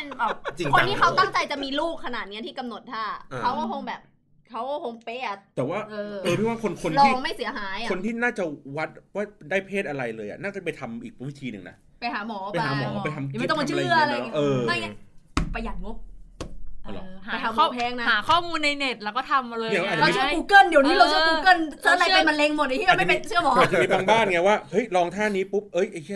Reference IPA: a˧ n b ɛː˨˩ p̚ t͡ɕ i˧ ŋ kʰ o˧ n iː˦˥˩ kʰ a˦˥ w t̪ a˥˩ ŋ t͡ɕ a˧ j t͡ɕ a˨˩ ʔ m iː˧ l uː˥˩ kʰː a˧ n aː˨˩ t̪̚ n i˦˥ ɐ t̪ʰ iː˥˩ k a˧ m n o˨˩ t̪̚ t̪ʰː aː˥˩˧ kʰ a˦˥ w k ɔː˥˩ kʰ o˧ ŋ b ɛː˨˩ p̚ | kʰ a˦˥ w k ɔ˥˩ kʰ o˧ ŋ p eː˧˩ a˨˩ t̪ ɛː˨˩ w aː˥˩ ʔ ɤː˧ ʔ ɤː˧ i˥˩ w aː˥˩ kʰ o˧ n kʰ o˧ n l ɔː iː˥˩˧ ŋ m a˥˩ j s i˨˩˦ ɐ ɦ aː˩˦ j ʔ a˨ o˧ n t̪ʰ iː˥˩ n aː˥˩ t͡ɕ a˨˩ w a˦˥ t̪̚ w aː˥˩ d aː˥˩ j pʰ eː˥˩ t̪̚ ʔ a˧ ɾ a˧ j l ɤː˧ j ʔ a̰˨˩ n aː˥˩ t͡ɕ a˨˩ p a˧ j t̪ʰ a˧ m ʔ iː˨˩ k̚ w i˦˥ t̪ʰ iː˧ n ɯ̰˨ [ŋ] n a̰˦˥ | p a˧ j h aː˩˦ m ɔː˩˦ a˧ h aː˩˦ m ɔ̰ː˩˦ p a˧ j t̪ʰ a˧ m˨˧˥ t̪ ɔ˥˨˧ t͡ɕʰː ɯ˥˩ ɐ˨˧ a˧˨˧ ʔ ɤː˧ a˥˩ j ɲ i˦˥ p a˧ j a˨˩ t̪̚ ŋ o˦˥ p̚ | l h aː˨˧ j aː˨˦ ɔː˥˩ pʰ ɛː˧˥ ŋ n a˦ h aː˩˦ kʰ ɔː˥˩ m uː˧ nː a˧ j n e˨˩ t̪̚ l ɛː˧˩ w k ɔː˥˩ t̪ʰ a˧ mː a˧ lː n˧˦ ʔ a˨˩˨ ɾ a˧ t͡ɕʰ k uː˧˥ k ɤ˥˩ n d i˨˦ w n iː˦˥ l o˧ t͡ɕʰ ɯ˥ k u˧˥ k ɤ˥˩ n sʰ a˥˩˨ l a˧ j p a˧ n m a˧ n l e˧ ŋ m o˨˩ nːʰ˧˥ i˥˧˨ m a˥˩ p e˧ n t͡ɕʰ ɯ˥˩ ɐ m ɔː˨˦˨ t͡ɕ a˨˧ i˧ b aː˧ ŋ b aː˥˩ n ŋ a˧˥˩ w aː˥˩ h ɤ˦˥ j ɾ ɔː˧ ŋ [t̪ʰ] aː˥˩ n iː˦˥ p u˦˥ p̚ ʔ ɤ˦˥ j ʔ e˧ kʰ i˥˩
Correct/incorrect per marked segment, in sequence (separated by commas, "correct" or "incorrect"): correct, correct